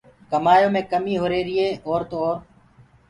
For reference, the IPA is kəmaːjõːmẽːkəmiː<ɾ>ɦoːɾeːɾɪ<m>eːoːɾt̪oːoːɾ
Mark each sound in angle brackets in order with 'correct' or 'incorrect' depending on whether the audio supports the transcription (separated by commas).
incorrect, incorrect